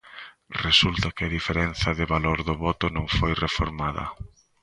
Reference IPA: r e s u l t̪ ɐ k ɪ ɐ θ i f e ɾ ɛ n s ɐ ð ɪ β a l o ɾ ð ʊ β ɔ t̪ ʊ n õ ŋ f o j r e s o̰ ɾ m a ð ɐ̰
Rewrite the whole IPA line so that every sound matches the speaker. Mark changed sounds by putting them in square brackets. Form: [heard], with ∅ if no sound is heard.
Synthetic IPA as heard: r e s u l t̪ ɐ k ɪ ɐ [ð] i f e ɾ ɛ n [θ] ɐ ð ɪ β a l o ɾ ð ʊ β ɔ t̪ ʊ n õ ŋ f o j r e [f] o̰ ɾ m a ð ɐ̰